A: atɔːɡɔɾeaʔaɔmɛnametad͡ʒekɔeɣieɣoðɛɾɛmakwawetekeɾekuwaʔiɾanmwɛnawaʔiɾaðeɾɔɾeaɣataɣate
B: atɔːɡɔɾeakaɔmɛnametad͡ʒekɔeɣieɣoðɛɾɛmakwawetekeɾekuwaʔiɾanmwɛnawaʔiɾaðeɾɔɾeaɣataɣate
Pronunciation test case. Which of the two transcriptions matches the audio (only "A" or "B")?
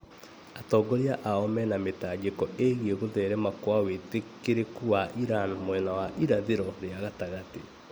A